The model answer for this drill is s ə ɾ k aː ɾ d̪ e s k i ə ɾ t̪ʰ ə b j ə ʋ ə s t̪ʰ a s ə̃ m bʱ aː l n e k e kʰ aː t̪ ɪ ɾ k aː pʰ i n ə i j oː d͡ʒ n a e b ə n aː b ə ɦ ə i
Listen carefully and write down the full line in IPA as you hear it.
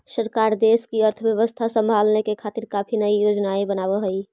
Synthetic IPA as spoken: s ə ɾ k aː ɾ d̪ e s k i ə ɾ t̪ʰ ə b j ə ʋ ə s t̪ʰ a s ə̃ m bʱ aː l n e k e kʰ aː t̪ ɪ ɾ k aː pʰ i n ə i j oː d͡ʒ n a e b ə n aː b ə ɦ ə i